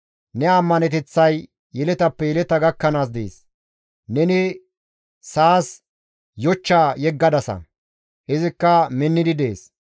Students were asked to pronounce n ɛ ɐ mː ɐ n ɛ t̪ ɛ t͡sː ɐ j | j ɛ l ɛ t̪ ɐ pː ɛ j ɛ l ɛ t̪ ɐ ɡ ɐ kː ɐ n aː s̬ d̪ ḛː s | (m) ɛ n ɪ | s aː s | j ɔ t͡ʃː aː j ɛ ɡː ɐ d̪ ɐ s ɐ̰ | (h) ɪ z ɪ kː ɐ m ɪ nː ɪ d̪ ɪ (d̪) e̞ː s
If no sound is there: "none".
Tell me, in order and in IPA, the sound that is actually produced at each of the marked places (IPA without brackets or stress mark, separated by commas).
n, h, d̪